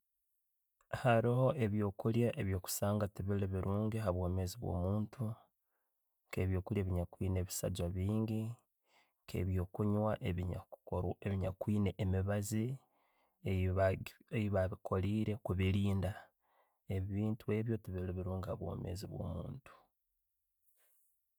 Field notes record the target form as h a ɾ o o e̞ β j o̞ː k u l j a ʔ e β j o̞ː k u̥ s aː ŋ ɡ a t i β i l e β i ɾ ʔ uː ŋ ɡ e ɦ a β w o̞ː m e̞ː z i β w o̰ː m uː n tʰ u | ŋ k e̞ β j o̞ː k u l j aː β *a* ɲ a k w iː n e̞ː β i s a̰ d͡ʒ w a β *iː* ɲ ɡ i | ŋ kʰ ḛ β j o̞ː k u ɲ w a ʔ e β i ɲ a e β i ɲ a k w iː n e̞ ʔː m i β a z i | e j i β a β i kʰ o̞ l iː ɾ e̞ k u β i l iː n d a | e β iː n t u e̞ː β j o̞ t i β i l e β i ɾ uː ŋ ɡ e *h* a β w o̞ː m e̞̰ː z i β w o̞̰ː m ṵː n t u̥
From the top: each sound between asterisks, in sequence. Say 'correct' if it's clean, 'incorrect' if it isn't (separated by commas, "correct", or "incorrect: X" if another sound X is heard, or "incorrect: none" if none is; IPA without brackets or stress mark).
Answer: incorrect: i, correct, correct